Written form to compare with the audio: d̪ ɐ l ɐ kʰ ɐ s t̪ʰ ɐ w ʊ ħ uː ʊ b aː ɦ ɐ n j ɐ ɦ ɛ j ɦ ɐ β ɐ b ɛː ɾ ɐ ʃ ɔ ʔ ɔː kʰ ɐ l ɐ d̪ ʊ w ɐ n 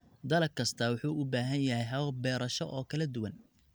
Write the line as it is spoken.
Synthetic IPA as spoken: d̪ ɐ l ɐ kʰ ɐ s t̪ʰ ɐ w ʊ ħ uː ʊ b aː ɦ ɐ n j ɐ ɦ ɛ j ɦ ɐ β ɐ b ɛː ɾ ɐ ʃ ɔ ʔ ɔː kʰ ɐ l ɐ d̪ ʊ w ɐ n